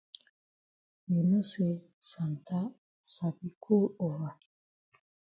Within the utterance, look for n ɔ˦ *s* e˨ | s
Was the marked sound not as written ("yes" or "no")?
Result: no